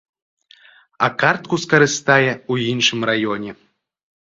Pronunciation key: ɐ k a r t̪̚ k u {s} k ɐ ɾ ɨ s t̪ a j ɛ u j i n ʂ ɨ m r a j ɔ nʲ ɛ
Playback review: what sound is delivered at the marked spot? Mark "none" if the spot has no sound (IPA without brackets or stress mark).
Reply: s